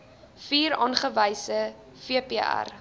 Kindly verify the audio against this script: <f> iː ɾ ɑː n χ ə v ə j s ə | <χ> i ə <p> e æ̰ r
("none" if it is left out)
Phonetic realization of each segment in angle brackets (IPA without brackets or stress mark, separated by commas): f, f, p